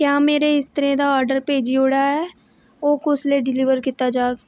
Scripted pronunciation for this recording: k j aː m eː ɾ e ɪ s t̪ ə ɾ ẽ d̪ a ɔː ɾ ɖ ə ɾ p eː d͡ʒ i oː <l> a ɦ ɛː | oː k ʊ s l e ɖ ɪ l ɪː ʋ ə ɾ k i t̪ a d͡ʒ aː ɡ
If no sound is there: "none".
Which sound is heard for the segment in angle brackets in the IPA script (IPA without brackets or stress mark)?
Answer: ɽ